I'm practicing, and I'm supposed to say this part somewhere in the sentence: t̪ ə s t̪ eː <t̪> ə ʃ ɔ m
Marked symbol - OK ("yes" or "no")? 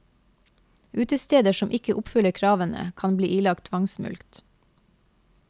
no